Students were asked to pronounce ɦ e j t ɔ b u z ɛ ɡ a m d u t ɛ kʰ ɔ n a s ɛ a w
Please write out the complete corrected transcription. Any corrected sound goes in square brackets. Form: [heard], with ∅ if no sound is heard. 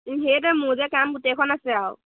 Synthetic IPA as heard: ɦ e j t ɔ [m] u z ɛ [k] a m [ɡ] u t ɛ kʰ ɔ n a s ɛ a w